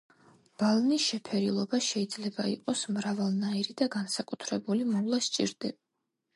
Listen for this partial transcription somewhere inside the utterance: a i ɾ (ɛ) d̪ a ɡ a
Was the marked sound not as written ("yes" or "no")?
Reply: yes